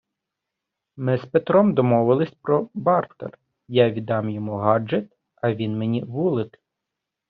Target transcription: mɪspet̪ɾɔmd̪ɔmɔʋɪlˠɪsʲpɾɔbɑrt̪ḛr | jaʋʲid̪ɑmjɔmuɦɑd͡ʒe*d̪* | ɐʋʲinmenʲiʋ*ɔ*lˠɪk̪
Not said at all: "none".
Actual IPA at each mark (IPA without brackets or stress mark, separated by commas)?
t̪, u